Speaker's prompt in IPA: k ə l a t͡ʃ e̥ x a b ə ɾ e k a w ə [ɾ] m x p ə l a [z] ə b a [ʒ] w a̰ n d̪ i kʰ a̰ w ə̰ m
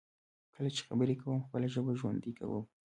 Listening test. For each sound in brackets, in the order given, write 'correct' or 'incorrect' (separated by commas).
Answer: incorrect, incorrect, correct